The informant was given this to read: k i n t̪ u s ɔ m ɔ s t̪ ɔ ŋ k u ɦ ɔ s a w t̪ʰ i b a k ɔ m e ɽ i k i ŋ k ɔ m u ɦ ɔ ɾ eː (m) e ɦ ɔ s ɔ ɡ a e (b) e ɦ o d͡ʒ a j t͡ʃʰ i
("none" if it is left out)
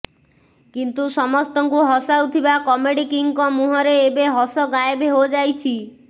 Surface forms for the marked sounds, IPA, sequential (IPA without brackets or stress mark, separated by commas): b, b